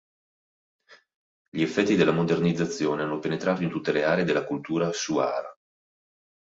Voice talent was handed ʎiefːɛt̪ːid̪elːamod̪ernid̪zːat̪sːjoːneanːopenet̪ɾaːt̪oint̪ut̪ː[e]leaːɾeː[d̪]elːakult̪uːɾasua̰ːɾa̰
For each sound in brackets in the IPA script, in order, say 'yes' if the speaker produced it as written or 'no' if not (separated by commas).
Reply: yes, yes